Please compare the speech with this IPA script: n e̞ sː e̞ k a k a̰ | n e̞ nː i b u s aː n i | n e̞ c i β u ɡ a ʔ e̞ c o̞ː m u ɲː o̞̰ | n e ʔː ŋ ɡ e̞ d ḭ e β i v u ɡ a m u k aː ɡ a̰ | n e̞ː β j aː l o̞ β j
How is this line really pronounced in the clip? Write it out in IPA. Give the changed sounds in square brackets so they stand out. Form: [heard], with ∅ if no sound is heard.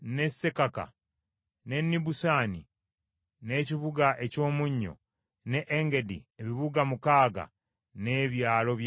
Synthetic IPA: n e̞ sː e̞ k a k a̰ | n e̞ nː i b u s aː n i | n e̞ c i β u ɡ a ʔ e̞ c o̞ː m u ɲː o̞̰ | n e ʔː ŋ ɡ e̞ d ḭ e β i [β] u ɡ a m u k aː ɡ a̰ | n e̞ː β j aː l o̞ β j